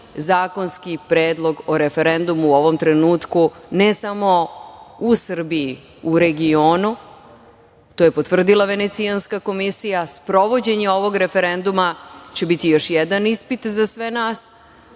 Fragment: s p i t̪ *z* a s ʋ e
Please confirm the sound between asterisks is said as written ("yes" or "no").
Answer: yes